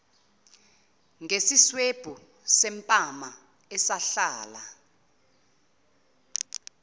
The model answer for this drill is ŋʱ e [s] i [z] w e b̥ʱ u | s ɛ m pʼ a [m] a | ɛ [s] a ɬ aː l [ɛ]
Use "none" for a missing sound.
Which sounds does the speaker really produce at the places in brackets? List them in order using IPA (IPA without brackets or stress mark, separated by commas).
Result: s, s, m, s, a